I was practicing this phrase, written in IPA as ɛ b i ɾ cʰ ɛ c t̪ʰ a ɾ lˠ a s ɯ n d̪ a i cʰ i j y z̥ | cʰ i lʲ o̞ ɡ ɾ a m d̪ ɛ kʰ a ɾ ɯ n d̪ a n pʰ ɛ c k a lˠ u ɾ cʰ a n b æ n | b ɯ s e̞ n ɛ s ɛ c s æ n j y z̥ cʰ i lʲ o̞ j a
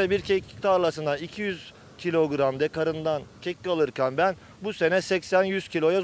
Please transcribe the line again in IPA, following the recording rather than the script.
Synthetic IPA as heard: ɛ b i ɾ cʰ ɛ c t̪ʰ a ɾ lˠ a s ɯ n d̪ a i cʰ i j y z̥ | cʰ i lʲ o̞ ɡ ɾ a m d̪ ɛ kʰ a ɾ ɯ n d̪ a n cʰ ɛ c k a lˠ ɯ ɾ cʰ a n b æ n | b u s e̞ n ɛ s ɛ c s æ n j y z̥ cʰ i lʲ o̞ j a